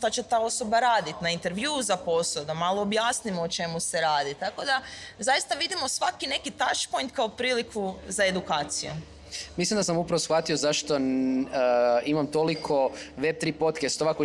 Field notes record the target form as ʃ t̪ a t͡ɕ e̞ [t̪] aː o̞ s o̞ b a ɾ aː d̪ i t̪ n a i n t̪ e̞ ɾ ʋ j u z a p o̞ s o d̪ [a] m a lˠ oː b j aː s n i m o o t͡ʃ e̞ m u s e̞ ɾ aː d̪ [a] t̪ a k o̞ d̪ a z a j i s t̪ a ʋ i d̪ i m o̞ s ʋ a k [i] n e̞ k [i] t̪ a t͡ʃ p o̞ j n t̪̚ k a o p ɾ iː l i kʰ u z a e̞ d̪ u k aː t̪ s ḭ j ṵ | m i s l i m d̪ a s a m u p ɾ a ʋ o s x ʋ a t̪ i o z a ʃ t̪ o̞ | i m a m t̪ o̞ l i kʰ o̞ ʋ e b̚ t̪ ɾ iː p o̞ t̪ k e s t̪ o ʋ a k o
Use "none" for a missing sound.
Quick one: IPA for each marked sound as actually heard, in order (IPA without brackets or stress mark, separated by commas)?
t̪, a, i, i, i